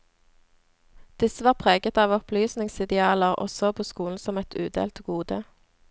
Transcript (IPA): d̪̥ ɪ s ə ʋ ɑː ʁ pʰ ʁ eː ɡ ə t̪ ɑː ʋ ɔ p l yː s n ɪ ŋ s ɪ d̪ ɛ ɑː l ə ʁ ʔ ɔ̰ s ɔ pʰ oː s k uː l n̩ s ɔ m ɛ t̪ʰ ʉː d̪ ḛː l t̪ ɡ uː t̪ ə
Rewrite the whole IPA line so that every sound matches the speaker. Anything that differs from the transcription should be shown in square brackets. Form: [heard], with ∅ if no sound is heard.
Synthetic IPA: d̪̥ ɪ s ə ʋ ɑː ʁ pʰ ʁ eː ɡ ə t̪ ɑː ʋ ɔ p l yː s n ɪ ŋ s ɪ d̪ ɛ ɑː l ə ʁ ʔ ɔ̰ s ɔ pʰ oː s k uː l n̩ s ɔ m ɛ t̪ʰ ʉː d̪ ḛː l t̪ ɡ uː [d̪] ə